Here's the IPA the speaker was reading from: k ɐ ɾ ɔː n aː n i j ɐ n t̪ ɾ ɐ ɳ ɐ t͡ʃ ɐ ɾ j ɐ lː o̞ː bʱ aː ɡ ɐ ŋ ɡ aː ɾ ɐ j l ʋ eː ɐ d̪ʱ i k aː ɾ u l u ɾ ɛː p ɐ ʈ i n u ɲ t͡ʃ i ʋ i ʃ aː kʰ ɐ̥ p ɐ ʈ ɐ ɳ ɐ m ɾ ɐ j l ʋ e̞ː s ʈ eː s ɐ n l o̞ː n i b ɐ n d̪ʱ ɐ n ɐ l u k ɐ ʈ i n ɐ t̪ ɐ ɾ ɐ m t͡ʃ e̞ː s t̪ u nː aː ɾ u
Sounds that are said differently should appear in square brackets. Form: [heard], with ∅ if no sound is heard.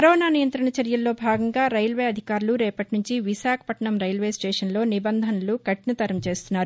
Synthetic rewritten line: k ɐ ɾ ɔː n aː n i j ɐ n t̪ ɾ ɐ ɳ ɐ t͡ʃ ɐ ɾ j ɐ lː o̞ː bʱ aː ɡ ɐ ŋ ɡ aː ɾ ɐ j l ʋ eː ɐ d̪ʱ i k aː ɾ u l u ɾ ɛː p ɐ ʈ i n u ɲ t͡ʃ i ʋ i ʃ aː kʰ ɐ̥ p ɐ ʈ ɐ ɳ ɐ m ɾ ɐ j l ʋ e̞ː s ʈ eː [ʂ] ɐ n l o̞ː n i b ɐ n d̪ʱ ɐ n ɐ l u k ɐ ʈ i n ɐ t̪ ɐ ɾ ɐ m t͡ʃ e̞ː s t̪ u nː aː ɾ u